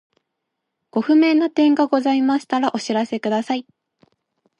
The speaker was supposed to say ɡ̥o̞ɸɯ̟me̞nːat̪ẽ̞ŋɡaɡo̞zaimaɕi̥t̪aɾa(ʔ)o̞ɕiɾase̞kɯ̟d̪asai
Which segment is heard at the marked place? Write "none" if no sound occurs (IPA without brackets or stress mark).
ʔ